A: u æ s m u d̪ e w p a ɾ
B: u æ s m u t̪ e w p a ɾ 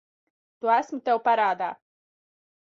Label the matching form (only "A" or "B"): B